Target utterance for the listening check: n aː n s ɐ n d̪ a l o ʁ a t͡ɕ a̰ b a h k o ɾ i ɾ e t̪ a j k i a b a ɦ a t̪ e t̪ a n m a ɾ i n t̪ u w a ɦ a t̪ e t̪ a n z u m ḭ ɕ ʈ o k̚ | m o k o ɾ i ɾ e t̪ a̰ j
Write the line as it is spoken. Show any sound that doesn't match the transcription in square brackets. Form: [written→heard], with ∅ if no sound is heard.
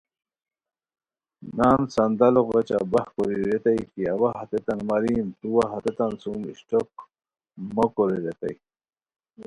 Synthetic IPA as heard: n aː n s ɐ n d̪ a l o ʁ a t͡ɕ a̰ b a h k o ɾ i ɾ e t̪ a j k i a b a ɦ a t̪ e t̪ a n m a ɾ i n t̪ u w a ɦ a t̪ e t̪ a n [z→s] u m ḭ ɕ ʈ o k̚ | m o k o ɾ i ɾ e t̪ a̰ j